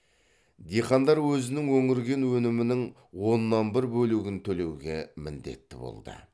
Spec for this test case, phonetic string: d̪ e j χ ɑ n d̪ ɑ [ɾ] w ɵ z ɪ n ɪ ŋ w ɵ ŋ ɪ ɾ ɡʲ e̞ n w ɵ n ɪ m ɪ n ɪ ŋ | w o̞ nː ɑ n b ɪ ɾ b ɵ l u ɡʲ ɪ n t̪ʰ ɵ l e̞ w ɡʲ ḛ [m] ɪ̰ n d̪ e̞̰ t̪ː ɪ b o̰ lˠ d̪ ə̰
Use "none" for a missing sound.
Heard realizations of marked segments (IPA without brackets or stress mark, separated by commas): ɾ, m